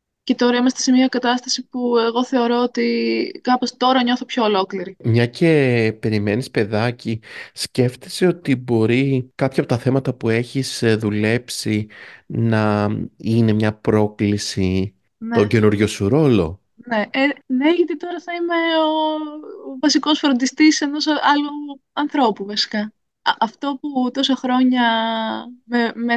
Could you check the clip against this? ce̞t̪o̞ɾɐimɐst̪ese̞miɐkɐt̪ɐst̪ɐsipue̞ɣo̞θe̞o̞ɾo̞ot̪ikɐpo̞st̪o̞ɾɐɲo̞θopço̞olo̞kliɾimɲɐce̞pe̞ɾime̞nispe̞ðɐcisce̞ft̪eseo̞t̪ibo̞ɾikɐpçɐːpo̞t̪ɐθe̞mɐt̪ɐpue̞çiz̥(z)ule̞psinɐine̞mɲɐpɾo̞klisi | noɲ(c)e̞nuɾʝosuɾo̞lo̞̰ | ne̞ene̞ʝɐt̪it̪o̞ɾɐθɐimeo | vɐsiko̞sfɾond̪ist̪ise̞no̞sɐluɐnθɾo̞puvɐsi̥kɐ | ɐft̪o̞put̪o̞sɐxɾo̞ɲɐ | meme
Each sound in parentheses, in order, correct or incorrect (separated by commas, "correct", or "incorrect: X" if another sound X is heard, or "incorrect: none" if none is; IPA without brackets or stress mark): incorrect: ð, incorrect: ɟ